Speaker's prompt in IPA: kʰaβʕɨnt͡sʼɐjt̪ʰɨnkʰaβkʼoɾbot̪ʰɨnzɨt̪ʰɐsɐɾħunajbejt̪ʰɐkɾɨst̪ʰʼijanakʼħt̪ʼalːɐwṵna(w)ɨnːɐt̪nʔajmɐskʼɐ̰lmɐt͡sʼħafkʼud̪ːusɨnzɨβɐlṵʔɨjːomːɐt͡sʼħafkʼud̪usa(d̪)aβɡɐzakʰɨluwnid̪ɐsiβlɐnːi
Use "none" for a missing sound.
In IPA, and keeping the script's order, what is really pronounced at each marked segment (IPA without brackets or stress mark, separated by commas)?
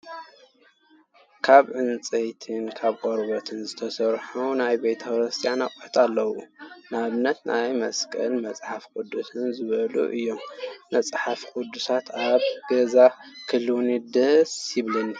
β, t̪